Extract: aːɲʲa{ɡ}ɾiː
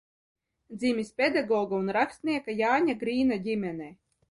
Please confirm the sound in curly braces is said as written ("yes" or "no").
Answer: yes